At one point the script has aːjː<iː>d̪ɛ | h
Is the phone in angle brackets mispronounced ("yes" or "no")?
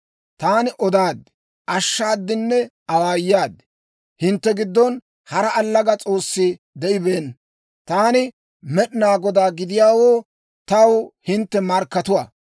yes